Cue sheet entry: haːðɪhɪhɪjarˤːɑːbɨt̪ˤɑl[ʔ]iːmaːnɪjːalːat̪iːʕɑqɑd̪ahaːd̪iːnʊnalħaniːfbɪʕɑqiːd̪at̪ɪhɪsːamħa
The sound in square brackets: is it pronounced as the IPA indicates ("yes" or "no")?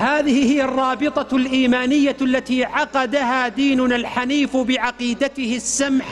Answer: yes